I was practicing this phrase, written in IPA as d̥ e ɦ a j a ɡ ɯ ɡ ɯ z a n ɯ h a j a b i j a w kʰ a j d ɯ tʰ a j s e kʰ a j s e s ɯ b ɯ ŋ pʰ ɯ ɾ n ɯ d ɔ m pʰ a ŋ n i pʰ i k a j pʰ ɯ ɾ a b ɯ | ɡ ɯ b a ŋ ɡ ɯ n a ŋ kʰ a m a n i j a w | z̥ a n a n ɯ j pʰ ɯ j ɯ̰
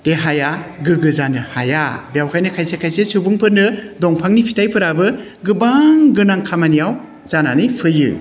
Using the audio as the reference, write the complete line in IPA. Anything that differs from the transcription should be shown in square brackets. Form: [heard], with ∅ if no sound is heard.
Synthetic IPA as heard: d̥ e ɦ a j a ɡ ɯ ɡ ɯ z a n ɯ h a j a b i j a w kʰ a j [n] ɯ [kʰ] a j s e kʰ a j s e s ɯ b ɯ ŋ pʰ ɯ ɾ n ɯ d ɔ [ŋ] pʰ a ŋ n i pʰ i [t] a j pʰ ɯ ɾ a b ɯ | ɡ ɯ b a ŋ ɡ ɯ n a ŋ kʰ a m a n i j a w | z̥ a n a n ɯ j pʰ ɯ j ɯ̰

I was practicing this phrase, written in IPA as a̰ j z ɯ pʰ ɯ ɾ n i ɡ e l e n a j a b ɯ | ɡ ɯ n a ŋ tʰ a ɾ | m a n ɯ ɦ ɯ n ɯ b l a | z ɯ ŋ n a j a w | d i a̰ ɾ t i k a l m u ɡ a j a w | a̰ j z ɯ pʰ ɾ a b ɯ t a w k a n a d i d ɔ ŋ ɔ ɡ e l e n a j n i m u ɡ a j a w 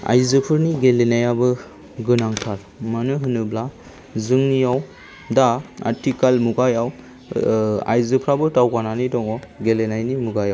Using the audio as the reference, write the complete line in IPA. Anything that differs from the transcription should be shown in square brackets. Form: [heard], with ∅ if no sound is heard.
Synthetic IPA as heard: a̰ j z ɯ pʰ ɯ ɾ n i ɡ e l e n a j a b ɯ | ɡ ɯ n a ŋ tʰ a ɾ | m a n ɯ ɦ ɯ n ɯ b l a | z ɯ ŋ n [i] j a w | d [a] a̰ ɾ t i k a l m u ɡ a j a w | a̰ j z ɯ pʰ ɾ a b ɯ t a w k a n a [n] i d ɔ ŋ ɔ ɡ e l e n a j n i m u ɡ a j a w

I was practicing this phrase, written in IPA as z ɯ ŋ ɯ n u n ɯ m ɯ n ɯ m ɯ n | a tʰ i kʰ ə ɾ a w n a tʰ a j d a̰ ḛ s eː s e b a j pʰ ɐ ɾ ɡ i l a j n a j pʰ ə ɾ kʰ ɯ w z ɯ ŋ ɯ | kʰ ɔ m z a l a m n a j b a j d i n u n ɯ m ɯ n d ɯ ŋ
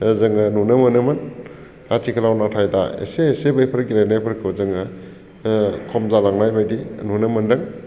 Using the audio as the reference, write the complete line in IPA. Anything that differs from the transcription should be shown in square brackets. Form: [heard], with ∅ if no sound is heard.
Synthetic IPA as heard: z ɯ ŋ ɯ n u n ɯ m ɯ n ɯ m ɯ n | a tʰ i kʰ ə [l] a w n a tʰ a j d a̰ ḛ s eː s e b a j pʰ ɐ ɾ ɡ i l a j n a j pʰ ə ɾ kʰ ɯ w z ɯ ŋ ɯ | kʰ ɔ m z a l a [ŋ] n a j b a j d i n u n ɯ m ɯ n d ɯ ŋ

